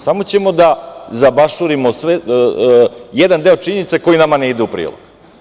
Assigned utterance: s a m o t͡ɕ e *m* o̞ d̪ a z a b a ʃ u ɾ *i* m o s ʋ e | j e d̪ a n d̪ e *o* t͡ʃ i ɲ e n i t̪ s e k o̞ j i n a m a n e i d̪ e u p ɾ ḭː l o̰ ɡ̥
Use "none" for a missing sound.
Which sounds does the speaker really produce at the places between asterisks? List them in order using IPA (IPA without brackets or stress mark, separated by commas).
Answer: m, i, o